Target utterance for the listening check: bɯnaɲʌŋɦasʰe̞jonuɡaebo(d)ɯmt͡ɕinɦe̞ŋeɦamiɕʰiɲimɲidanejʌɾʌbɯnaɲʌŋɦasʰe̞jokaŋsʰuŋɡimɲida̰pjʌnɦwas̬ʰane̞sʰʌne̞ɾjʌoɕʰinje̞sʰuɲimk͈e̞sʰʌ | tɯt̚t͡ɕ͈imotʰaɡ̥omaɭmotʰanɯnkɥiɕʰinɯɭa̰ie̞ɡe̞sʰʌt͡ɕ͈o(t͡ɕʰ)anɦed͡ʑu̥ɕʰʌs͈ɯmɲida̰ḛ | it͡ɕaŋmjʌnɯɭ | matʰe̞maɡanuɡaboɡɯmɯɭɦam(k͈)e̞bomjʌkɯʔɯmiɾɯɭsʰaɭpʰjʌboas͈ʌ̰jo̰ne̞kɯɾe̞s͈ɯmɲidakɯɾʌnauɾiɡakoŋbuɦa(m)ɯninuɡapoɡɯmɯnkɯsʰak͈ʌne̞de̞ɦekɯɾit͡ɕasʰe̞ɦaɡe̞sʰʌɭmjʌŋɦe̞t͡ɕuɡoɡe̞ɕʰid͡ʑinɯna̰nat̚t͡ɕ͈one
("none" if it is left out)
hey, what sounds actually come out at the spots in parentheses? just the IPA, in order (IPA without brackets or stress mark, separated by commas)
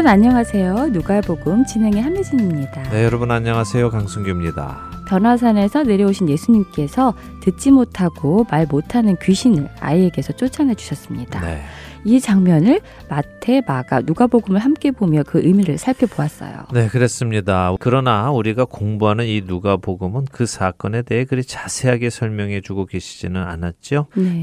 ɡ, t͡ɕʰ, k͈, n